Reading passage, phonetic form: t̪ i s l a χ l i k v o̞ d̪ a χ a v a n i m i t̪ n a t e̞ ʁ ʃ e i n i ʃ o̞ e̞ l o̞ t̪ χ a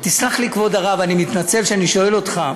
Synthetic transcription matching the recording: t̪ i s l a χ l i k v o̞ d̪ a ʁ a v a n i m i t̪ n a t͡s e̞ v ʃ e a n i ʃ o̞ e̞ l o̞ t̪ χ a